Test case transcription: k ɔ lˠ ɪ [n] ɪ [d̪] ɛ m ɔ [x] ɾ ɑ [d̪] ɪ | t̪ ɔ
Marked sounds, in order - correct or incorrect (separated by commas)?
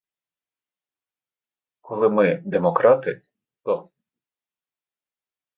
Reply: incorrect, correct, incorrect, incorrect